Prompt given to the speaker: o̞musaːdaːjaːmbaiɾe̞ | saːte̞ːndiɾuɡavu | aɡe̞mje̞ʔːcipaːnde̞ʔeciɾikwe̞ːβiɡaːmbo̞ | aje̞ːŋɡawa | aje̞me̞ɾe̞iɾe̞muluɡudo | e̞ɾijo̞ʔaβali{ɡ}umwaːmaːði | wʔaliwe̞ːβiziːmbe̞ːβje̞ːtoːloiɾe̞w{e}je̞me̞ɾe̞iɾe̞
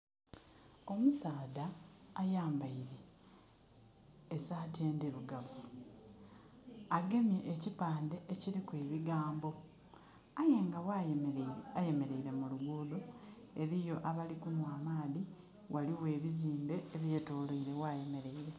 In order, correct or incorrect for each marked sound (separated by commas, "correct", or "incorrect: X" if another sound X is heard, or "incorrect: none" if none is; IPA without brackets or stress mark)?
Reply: incorrect: k, incorrect: a